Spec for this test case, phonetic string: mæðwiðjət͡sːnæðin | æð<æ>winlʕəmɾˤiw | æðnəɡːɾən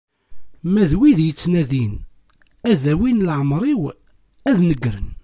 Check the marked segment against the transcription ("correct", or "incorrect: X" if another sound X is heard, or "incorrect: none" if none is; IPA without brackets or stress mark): correct